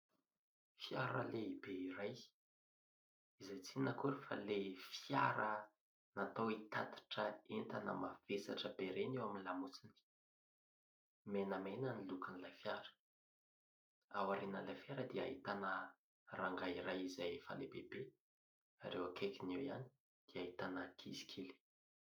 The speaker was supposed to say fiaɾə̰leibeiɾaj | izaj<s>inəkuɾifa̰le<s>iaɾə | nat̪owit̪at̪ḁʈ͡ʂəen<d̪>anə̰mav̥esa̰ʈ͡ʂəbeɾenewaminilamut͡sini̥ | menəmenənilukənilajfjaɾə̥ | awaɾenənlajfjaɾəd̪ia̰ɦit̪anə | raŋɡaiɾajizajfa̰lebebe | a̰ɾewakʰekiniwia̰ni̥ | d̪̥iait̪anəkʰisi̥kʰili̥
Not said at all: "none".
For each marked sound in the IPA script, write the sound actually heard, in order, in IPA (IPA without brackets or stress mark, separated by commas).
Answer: t͡s, f, t̪